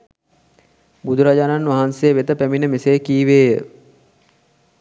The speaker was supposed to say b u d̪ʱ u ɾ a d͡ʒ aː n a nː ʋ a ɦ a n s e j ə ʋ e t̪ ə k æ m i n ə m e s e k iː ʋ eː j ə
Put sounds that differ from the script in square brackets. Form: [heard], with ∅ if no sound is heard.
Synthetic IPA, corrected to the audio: b u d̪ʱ u ɾ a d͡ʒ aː n a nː ʋ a ɦ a n s e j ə ʋ e t̪ ə [p] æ m i n ə m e s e k iː ʋ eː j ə